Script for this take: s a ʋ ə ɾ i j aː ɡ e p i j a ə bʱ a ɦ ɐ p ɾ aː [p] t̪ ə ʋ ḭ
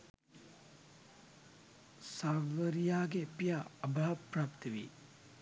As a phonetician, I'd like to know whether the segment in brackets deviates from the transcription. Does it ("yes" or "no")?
no